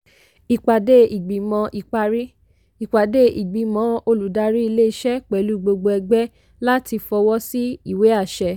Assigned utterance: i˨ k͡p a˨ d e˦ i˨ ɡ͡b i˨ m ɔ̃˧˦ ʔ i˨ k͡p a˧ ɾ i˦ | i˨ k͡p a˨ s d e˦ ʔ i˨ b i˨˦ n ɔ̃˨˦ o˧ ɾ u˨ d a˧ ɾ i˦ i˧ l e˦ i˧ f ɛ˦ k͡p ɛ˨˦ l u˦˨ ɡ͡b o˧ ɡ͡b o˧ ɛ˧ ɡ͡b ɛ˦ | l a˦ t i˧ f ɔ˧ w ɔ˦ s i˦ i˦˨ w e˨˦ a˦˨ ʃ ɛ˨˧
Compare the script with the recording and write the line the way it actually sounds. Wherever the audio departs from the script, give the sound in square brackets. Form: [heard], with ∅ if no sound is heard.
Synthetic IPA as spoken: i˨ k͡p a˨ d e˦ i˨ ɡ͡b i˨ m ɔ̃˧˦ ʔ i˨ k͡p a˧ ɾ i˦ | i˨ k͡p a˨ [∅] d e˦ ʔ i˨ [ɡ͡b] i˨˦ [m] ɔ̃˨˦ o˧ [l] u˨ d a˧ ɾ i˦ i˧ l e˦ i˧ [ʃ] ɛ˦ k͡p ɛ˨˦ l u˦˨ ɡ͡b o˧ ɡ͡b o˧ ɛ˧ ɡ͡b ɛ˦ | l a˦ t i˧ f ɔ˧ w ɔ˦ s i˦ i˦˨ w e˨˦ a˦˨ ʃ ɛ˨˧